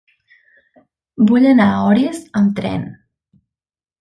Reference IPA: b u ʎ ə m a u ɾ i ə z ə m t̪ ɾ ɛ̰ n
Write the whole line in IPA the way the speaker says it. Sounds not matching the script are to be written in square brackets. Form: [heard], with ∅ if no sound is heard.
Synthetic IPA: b u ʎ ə [n] a [ɔ] ɾ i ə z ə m t̪ ɾ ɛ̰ n